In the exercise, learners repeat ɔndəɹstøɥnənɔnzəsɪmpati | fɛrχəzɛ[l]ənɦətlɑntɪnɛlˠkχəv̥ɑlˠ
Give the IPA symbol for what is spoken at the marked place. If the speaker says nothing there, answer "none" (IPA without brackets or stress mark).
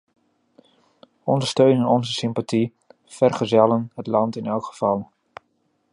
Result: l